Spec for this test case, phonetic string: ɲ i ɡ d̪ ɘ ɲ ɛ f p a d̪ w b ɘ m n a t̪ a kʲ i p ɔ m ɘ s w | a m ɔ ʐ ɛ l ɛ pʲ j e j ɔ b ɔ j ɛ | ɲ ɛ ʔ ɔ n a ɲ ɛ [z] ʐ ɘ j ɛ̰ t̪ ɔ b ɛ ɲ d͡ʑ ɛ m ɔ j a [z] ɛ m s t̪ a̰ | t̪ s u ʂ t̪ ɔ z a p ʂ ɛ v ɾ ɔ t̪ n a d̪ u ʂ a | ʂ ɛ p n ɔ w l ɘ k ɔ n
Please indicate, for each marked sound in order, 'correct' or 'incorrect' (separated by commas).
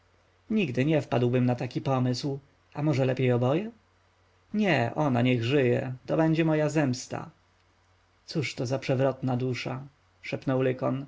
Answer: incorrect, correct